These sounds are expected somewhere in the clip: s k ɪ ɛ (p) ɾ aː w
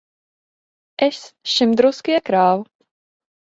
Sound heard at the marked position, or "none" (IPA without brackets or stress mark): k